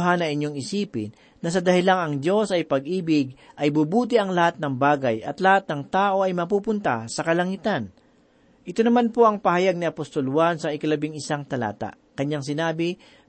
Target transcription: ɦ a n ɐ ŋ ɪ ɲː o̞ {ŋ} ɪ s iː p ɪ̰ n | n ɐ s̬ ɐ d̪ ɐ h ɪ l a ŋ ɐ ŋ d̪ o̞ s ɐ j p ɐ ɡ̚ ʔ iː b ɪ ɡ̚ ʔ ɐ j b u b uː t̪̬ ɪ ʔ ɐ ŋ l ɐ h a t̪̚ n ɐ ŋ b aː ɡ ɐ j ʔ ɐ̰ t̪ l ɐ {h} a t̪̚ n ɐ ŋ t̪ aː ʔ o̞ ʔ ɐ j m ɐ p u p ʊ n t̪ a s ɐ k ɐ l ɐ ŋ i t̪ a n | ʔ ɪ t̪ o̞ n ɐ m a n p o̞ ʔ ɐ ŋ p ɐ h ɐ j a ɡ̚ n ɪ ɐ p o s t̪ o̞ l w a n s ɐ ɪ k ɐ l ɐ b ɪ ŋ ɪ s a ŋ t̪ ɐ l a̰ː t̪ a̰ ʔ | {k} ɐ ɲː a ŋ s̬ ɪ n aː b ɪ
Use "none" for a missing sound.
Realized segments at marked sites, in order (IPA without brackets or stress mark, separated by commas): ŋ, h, k